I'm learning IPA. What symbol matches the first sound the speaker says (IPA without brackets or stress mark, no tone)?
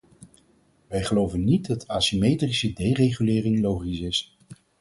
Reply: ʋ